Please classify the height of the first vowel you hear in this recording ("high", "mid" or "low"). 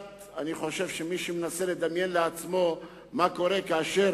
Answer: low